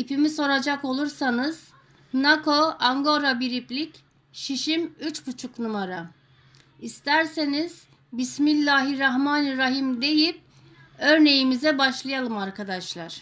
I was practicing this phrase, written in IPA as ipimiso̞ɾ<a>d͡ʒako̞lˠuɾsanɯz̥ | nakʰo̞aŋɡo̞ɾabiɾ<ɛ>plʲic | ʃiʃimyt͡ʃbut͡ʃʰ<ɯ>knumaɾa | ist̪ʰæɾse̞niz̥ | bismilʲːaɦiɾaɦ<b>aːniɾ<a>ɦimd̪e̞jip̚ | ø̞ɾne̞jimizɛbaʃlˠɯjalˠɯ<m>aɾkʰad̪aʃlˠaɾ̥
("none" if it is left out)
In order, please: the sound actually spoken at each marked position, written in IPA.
a, i, u, m, a, m

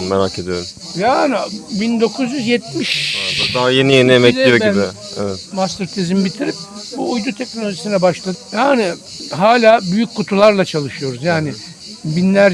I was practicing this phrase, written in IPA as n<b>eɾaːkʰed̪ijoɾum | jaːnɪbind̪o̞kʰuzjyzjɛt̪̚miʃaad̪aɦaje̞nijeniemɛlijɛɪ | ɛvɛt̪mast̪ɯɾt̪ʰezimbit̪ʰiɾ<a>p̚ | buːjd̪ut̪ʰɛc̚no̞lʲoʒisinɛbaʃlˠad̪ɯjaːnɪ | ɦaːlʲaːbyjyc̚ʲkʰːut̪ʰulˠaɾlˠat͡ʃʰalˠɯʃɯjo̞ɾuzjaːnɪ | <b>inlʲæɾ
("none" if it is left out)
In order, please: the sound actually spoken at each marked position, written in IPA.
m, i, b

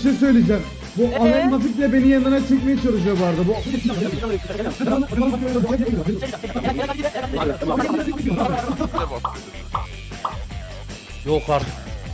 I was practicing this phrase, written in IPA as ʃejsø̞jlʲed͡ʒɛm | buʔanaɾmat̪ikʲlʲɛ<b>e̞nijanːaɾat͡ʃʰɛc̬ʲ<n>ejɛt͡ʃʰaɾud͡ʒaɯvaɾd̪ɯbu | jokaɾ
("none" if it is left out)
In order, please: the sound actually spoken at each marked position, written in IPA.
b, m

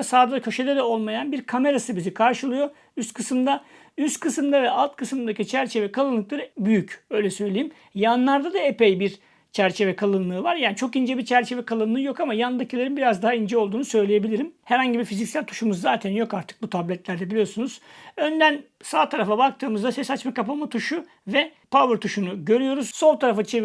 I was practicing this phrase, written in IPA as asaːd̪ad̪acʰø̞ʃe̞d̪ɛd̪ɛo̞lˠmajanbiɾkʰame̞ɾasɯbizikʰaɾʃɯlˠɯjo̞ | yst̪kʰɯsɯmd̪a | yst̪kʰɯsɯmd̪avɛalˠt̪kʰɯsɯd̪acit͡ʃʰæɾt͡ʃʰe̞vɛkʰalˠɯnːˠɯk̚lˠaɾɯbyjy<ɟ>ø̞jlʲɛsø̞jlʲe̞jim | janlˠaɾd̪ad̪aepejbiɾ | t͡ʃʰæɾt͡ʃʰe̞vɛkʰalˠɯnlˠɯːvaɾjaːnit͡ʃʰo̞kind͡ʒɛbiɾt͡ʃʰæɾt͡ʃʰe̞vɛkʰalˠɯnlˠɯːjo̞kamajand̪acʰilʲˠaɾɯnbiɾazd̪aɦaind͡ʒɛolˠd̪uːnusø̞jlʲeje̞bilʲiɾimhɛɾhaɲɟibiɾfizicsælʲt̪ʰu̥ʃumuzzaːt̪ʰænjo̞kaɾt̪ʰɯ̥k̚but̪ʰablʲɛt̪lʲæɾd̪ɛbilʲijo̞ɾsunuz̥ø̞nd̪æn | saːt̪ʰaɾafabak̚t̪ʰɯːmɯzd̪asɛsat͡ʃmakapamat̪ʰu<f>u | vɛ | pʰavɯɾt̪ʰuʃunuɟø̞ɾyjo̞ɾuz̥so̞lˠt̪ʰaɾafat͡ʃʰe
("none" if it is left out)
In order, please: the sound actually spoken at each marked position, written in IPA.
c, ʃ

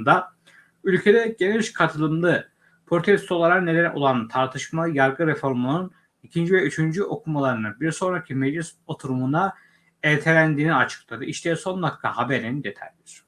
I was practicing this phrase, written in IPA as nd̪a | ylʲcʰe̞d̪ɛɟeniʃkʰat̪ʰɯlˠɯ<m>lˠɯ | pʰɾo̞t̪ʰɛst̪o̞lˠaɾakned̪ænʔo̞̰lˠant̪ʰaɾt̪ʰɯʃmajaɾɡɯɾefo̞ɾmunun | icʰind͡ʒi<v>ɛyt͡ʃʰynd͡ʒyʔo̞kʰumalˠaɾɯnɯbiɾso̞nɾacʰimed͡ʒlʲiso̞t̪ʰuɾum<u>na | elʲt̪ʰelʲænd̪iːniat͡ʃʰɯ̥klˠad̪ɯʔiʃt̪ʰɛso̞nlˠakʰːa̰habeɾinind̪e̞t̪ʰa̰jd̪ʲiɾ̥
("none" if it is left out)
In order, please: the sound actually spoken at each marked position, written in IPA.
m, v, u

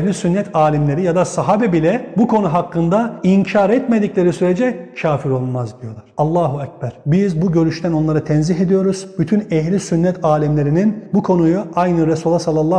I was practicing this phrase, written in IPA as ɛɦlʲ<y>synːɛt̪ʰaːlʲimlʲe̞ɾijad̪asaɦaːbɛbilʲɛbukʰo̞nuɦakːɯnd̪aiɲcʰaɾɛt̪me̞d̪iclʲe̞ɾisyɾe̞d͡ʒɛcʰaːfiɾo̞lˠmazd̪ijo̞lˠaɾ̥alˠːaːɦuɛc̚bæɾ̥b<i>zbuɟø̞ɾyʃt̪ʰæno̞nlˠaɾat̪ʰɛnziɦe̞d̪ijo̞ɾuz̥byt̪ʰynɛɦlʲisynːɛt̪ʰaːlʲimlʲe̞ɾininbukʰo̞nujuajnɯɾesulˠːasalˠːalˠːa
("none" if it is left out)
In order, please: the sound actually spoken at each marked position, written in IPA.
i, i

